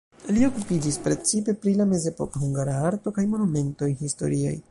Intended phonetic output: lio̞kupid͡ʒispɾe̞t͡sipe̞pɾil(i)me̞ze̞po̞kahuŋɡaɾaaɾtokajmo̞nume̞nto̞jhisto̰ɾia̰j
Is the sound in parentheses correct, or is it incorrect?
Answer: incorrect